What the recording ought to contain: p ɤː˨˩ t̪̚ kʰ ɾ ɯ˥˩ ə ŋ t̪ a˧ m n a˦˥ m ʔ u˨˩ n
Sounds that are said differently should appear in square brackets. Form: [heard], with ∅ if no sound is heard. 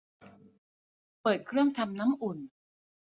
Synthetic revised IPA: p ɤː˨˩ t̪̚ kʰ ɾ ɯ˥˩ ə ŋ [t̪ʰ] a˧ m n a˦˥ m ʔ u˨˩ n